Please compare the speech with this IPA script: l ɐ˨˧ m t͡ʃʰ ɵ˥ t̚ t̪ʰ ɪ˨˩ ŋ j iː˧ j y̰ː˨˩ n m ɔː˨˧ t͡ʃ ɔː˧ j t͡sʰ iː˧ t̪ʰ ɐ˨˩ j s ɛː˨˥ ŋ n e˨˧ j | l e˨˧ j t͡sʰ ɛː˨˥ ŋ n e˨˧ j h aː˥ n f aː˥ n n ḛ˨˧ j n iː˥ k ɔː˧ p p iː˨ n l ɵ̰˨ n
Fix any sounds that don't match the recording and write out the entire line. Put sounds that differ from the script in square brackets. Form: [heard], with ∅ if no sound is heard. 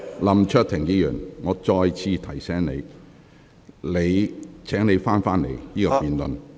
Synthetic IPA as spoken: l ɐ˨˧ m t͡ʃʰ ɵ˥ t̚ t̪ʰ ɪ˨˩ ŋ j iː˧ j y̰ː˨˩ n [ŋ] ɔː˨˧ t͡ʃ ɔː˧ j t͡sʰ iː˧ t̪ʰ ɐ˨˩ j s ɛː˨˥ ŋ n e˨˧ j | l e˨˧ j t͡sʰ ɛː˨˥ ŋ n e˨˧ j [f] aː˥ n f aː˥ n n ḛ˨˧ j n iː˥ k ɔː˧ p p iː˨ n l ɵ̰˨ n